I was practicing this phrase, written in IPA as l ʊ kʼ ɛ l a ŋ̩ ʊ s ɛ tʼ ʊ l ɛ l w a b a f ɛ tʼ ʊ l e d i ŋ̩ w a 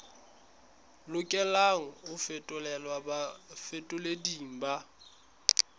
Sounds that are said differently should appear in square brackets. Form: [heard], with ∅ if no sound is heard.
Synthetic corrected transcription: l ʊ kʼ ɛ l a ŋ̩ ʊ [f] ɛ tʼ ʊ l ɛ l w a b a f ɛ tʼ ʊ l e d i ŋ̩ [b] a